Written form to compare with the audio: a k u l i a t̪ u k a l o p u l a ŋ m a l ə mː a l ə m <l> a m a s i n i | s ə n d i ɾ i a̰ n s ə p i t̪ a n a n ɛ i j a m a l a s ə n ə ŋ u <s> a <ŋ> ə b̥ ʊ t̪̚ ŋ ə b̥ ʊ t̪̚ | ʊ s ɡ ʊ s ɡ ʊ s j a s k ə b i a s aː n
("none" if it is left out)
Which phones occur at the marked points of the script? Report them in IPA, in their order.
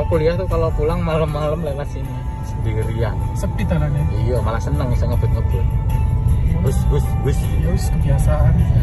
l, s, ŋ

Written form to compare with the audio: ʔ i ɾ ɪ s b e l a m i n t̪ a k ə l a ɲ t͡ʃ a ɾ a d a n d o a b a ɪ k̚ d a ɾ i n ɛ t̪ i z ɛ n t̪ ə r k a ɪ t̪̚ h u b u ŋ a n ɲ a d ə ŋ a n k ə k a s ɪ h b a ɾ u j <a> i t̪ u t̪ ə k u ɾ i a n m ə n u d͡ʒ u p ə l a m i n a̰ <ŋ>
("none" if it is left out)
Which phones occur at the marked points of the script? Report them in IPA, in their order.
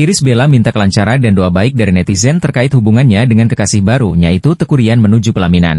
a, n

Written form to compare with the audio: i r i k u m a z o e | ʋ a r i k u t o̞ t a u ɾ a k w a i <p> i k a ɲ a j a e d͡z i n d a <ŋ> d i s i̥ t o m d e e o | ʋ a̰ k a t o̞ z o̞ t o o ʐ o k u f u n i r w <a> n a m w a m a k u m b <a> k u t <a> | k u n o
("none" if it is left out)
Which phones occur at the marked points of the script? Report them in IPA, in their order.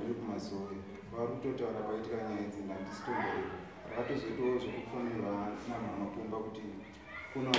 t, n, a, a, i

